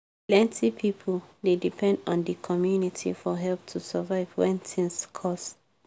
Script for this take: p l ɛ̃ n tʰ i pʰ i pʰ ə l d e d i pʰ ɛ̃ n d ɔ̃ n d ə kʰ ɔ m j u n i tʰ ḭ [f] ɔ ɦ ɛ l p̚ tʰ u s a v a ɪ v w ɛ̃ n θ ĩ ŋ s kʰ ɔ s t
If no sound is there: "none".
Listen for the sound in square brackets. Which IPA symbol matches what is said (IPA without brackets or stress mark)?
f